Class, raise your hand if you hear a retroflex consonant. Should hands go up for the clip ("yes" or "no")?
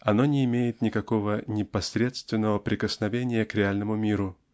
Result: no